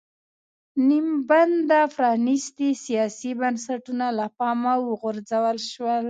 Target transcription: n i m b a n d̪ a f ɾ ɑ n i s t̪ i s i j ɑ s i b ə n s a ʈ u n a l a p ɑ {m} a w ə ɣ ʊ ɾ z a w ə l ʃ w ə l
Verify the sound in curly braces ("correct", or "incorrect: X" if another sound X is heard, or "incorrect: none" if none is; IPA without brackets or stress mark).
correct